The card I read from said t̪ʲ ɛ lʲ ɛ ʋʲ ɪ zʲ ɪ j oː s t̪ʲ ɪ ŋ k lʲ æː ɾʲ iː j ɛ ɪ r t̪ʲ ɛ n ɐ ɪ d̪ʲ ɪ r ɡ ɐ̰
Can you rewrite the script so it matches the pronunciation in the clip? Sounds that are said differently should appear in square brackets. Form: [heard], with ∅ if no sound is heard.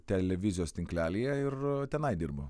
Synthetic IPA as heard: t̪ʲ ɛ lʲ ɛ ʋʲ ɪ zʲ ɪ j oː s t̪ʲ ɪ ŋ k lʲ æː [lʲ] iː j ɛ ɪ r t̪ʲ ɛ n ɐ ɪ d̪ʲ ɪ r [b] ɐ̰